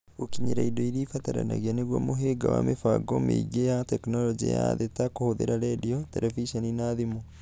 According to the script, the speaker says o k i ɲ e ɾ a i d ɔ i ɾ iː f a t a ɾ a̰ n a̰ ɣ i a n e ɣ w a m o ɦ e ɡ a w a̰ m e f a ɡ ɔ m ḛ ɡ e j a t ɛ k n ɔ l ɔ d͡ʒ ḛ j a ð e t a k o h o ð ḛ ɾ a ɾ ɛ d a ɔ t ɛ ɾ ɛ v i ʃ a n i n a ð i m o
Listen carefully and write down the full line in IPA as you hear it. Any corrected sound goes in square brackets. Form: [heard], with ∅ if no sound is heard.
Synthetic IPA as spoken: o k i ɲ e ɾ a i d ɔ i ɾ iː f a t a ɾ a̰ n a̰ ɣ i a n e ɣ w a m o ɦ e ɡ a w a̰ m e f a ɡ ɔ m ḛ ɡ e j a t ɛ k n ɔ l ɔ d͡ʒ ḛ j a ð e t a k o h o ð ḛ ɾ a ɾ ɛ d [i] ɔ t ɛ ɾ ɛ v i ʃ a n i n a ð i m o